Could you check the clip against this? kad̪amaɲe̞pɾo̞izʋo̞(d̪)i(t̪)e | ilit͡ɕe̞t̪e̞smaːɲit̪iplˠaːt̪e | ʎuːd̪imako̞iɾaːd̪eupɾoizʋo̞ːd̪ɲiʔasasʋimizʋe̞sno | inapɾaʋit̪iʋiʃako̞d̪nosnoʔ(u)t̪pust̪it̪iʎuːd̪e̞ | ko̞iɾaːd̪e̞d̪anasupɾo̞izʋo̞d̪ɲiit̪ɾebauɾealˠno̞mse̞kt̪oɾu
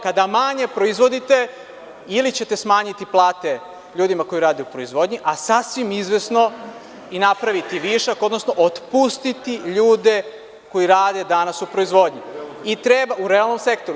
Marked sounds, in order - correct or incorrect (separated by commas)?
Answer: correct, correct, incorrect